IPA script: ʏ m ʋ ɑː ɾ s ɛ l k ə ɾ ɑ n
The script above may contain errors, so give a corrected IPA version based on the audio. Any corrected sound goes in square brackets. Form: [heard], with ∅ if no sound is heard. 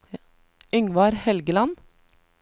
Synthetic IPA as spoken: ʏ [ŋ] ʋ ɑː ɾ [h] ɛ l [ɡ] ə [l] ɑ n